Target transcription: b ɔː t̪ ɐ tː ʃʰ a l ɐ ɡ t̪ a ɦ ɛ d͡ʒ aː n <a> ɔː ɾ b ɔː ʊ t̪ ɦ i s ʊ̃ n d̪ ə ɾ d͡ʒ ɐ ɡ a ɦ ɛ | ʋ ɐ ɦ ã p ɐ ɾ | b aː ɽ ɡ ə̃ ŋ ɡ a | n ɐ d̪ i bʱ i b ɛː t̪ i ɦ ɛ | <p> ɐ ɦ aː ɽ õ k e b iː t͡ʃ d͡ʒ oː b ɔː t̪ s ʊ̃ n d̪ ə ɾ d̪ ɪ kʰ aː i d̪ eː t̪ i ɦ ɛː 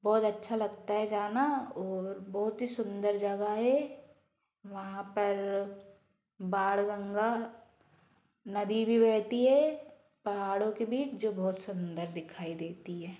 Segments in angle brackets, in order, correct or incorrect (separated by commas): correct, correct